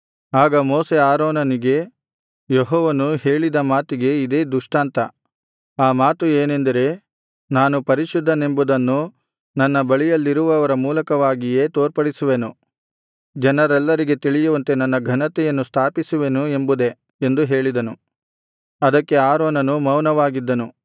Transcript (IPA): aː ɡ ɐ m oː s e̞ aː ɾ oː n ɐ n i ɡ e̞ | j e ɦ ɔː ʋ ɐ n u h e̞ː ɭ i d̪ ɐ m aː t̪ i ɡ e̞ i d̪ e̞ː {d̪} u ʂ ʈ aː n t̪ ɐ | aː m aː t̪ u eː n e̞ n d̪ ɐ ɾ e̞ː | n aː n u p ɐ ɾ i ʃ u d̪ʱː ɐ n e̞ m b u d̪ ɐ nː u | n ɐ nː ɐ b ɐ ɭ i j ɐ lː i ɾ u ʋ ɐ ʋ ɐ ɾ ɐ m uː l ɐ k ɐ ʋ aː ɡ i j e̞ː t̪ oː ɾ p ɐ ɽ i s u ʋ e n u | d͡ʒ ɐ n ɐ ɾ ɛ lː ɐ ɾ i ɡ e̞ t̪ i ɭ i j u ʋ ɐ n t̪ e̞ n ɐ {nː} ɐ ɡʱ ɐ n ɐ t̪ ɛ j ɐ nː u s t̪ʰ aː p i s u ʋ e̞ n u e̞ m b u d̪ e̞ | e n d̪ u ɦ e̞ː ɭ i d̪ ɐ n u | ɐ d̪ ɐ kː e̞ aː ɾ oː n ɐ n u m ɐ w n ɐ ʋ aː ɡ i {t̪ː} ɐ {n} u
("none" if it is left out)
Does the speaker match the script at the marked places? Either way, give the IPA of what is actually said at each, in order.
d̪, nː, d̪ː, n

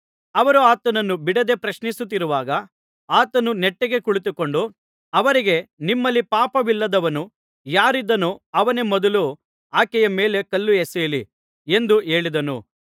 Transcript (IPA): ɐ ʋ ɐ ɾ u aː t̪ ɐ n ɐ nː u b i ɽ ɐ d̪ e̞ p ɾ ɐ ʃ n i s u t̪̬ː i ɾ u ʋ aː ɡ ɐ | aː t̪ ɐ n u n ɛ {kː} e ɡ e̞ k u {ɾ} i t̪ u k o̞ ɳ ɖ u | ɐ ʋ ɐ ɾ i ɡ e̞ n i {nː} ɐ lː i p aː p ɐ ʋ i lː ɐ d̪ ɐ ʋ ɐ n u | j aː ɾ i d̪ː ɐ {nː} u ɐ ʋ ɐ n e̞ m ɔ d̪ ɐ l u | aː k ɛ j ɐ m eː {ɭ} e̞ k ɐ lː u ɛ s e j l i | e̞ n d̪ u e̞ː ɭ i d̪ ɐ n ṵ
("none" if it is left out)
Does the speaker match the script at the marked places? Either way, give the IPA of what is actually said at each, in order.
ʈː, ɭ, mː, n, l

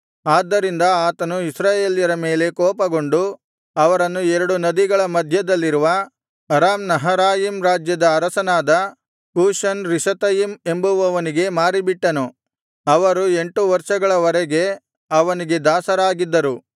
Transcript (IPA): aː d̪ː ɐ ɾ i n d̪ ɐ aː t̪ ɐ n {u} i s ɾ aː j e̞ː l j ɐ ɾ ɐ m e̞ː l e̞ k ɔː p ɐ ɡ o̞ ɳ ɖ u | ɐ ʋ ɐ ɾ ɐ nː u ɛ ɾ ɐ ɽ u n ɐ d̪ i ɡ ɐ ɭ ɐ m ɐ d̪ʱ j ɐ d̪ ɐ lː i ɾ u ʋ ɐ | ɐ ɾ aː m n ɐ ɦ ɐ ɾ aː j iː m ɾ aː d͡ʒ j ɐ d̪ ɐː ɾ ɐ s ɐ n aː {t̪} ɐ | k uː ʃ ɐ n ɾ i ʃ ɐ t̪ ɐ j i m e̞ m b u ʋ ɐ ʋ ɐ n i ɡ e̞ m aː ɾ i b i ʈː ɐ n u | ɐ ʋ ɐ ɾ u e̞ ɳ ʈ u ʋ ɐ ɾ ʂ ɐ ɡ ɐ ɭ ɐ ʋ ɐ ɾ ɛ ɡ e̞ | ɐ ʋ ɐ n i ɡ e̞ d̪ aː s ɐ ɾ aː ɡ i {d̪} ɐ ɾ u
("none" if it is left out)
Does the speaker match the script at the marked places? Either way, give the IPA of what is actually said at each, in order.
u, d̪, d̪ː

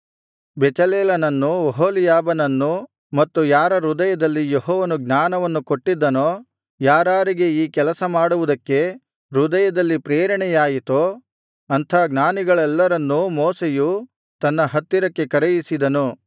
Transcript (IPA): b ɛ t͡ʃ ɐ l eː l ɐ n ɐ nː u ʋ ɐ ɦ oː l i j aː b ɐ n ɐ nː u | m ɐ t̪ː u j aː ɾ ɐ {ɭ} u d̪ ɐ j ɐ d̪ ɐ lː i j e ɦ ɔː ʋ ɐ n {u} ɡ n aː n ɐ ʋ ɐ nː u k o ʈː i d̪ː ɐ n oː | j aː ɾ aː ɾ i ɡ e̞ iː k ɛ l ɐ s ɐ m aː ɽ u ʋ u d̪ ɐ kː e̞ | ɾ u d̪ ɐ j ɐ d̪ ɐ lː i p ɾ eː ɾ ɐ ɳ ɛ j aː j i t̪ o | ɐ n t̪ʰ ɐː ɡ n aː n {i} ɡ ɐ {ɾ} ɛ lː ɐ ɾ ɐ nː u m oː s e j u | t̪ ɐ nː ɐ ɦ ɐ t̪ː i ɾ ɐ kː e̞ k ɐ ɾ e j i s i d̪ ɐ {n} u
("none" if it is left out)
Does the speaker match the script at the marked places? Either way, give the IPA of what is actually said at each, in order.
ɾ, u, i, ɭ, n

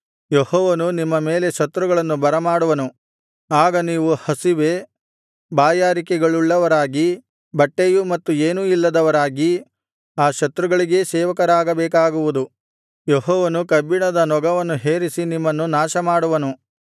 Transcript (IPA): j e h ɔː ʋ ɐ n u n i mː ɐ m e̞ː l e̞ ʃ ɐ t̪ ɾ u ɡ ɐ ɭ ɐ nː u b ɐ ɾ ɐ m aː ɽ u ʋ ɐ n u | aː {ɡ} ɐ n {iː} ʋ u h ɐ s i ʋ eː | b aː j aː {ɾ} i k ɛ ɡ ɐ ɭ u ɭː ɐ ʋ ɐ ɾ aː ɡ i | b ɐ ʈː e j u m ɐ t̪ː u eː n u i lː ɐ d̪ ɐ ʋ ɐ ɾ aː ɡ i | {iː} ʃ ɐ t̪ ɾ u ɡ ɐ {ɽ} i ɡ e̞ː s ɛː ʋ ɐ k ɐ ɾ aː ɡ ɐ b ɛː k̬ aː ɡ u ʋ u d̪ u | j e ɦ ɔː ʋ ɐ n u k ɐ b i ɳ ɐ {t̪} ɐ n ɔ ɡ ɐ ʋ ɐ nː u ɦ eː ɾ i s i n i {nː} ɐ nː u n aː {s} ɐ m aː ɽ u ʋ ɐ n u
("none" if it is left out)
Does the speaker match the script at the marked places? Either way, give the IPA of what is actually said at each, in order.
ɡ, iː, ɾ, aː, ɭ, d̪, mː, ʃ

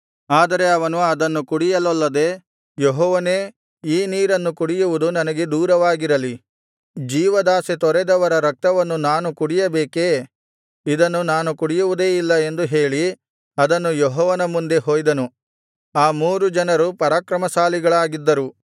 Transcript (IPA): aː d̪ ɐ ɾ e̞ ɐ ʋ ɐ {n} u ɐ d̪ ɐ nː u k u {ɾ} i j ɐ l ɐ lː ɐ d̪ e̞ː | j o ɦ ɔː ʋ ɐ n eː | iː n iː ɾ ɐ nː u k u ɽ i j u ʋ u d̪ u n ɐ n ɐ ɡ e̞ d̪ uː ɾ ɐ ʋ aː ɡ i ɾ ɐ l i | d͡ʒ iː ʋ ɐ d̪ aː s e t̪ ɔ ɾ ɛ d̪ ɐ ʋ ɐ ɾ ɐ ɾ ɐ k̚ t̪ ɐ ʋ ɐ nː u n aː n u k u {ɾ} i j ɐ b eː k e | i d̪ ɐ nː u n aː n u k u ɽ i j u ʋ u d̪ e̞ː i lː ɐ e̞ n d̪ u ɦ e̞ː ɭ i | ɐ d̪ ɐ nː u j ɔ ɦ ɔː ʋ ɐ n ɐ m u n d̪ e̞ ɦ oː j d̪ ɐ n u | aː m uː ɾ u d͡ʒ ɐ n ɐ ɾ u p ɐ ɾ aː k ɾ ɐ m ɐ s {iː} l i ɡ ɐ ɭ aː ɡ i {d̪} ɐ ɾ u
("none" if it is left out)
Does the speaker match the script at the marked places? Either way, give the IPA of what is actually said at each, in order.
n, ɽ, ɽ, aː, d̪ː

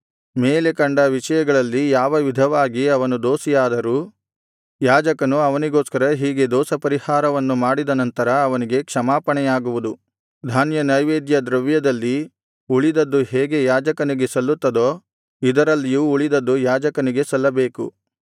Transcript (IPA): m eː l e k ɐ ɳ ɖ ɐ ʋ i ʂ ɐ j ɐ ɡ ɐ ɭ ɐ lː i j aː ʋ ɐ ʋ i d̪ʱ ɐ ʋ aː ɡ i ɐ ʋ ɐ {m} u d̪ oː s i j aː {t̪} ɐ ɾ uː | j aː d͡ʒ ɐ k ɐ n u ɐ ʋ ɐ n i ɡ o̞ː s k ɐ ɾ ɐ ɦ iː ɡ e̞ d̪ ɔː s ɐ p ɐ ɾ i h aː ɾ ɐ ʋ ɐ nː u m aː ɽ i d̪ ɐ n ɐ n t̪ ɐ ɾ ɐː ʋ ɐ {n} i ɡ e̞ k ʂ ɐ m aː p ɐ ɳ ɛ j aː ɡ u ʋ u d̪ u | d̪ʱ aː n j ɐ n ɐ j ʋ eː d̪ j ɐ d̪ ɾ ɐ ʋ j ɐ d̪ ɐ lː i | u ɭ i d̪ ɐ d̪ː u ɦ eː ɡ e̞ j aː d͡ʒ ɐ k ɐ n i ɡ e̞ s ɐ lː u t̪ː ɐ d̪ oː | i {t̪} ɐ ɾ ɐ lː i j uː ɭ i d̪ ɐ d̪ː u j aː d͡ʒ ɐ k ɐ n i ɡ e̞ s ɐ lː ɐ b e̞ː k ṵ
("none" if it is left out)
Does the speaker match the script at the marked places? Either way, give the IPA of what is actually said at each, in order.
n, d̪, n, d̪

